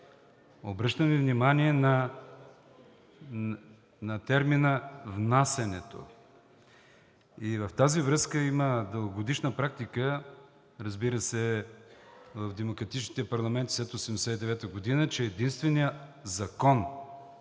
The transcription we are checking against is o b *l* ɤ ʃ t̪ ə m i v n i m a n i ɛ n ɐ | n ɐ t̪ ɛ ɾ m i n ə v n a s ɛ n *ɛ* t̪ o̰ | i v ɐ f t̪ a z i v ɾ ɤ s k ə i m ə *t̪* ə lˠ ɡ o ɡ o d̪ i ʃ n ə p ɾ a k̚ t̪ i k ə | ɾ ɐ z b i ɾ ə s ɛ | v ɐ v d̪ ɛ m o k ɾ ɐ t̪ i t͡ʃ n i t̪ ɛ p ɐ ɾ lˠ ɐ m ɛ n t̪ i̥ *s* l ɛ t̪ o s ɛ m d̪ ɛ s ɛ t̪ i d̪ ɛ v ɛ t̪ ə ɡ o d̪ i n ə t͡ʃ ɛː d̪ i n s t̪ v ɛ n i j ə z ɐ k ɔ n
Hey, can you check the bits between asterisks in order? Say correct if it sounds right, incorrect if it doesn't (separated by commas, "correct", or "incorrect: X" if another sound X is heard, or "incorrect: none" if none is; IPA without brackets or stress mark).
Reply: incorrect: ɾ, correct, incorrect: d̪, correct